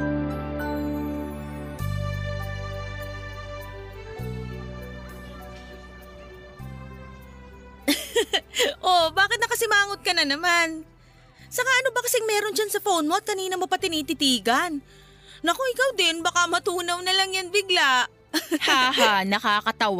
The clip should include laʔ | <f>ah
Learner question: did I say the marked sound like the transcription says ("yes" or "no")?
no